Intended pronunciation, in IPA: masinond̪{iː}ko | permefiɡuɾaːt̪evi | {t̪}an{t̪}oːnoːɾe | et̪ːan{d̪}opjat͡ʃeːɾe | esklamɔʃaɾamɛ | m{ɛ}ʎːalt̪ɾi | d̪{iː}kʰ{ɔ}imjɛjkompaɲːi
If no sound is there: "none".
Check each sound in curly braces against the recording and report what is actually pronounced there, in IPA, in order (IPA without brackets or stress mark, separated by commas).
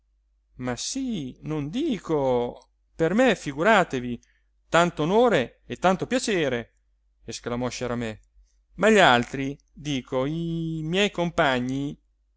iː, t̪, t̪, t̪, a, iː, o